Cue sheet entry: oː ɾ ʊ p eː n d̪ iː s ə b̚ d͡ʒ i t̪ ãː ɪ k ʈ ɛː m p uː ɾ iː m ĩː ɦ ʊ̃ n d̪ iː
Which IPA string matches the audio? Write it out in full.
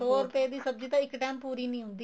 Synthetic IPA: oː ɾ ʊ p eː d̪ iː s ə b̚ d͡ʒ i t̪ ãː ɪ k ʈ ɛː m p uː ɾ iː n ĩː ɦ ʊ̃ n d̪ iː